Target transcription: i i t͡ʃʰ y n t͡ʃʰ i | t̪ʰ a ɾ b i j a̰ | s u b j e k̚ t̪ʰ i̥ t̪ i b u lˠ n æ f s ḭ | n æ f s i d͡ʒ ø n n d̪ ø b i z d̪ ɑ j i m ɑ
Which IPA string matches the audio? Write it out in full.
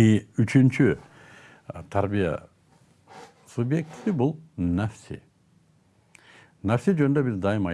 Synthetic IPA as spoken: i y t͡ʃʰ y n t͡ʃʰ y | t̪ʰ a ɾ b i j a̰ | s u b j e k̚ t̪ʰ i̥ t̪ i b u lˠ n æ f s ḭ | n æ f s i d͡ʒ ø n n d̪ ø b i z d̪ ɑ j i m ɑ